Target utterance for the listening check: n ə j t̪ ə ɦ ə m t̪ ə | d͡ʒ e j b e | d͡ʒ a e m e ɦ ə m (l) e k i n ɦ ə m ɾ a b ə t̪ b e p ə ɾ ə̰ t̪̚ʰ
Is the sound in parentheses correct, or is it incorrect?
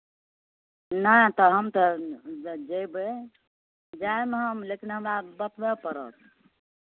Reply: correct